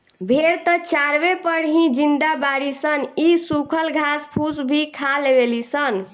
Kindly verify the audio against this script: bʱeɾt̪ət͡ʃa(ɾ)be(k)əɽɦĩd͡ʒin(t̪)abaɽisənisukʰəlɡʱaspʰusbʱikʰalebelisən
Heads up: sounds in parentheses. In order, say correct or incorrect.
correct, incorrect: p, incorrect: d̪

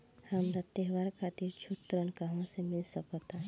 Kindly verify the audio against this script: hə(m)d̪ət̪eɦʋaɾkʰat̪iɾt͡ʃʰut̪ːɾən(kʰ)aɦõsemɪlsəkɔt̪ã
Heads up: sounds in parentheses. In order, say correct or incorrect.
correct, incorrect: k

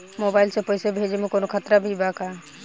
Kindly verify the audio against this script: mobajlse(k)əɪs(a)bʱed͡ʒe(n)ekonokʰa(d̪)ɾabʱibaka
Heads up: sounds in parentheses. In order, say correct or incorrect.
incorrect: p, incorrect: e, incorrect: m, incorrect: t̪

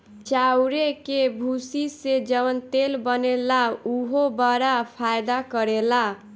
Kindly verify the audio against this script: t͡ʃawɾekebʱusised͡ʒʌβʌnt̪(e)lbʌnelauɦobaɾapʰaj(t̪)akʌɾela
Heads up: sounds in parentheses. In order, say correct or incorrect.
correct, incorrect: d̪

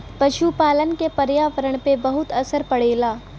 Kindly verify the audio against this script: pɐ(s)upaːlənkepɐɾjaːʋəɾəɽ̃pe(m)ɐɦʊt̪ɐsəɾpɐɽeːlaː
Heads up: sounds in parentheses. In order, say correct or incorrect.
incorrect: ʃ, incorrect: b

